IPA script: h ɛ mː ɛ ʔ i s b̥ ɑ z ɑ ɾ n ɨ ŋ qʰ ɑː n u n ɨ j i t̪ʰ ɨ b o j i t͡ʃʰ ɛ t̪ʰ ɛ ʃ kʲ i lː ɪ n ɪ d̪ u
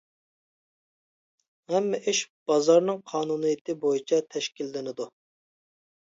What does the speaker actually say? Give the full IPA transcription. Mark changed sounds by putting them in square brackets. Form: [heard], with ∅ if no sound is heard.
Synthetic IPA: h ɛ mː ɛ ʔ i [ʃ] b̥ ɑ z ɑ ɾ n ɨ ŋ qʰ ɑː n u n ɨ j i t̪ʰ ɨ b o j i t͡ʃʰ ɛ t̪ʰ ɛ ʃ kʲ i lː ɪ n ɪ d̪ u